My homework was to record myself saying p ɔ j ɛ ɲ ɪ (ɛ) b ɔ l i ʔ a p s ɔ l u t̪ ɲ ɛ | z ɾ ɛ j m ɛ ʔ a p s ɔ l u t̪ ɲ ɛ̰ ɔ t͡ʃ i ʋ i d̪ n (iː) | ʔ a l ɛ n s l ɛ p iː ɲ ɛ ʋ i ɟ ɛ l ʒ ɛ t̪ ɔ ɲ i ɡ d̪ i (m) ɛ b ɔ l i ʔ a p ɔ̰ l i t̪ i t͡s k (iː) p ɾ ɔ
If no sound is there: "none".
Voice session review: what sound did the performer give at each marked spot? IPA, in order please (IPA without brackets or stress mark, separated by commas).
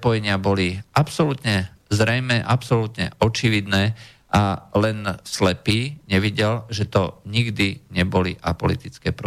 a, ɛː, ɲ, ɛː